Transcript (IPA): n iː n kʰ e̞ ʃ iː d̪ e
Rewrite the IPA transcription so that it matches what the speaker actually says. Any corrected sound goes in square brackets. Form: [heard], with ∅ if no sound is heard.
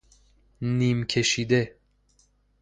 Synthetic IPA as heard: n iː [m] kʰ e̞ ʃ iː d̪ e